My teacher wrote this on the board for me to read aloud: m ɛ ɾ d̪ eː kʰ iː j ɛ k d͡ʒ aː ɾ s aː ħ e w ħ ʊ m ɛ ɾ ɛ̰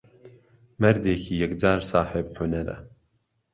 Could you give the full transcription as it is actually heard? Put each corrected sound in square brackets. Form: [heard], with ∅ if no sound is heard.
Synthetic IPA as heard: m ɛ ɾ d̪ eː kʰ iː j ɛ k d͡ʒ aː ɾ s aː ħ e [b] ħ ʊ [n] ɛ ɾ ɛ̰